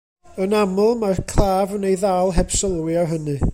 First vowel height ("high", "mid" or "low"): mid